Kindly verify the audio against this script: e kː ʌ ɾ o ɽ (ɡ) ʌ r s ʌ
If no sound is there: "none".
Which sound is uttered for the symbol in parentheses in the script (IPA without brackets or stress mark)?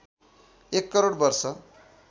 b